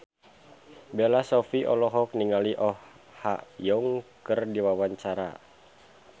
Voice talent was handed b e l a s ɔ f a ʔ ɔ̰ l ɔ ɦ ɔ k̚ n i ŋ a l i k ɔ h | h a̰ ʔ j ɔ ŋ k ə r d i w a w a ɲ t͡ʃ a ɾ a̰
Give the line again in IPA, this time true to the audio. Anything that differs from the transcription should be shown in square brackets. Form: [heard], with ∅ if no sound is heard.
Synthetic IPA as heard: b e l a s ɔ f [i] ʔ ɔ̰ l ɔ ɦ ɔ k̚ n i ŋ a l i [ʔ] ɔ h | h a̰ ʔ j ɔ ŋ k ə r d i w a w a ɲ t͡ʃ a ɾ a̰